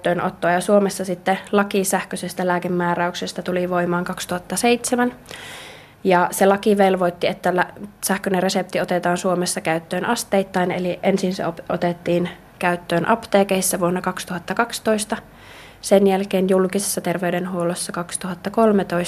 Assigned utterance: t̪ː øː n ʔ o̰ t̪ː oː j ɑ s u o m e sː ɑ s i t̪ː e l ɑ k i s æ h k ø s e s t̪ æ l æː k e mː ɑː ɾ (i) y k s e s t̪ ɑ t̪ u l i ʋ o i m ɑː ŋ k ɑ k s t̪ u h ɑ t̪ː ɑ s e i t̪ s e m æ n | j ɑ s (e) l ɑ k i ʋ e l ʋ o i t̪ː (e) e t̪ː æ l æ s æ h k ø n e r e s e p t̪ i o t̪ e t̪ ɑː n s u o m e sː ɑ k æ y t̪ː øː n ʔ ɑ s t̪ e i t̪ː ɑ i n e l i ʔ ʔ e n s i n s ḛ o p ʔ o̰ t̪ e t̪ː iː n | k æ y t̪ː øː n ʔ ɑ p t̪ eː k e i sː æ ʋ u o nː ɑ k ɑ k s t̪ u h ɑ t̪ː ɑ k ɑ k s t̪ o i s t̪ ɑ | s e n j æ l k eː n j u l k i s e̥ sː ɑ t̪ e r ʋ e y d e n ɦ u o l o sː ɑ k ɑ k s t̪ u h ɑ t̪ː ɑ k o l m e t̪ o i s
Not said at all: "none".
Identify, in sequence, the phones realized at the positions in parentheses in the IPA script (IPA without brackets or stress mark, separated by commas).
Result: æ, e, i